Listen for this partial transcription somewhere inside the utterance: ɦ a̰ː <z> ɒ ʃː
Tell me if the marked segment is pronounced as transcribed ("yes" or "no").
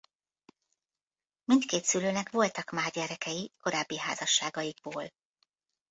yes